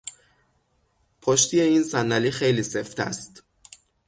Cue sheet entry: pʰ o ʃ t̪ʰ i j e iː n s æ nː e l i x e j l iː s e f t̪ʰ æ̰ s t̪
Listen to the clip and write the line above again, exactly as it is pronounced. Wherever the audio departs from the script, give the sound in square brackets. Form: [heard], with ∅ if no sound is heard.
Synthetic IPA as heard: pʰ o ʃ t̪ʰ i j e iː n s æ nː [æ] l i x e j l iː s e f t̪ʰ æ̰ s t̪